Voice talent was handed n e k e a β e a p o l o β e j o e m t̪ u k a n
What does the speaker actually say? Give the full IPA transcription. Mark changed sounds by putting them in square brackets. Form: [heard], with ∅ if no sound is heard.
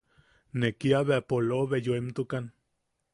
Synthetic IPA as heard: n e k [i] a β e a p o l o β e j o e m t̪ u k a n